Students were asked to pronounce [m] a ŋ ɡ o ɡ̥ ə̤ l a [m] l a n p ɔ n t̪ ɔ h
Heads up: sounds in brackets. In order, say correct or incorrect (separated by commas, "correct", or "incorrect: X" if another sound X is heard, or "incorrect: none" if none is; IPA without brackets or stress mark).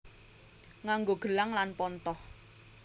incorrect: ŋ, incorrect: ŋ